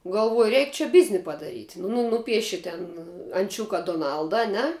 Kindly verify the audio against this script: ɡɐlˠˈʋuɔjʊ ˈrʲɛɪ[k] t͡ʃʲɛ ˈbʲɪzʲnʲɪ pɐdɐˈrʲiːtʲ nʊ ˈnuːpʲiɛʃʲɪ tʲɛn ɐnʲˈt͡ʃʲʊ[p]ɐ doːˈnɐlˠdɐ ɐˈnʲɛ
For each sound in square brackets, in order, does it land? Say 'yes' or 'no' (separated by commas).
yes, no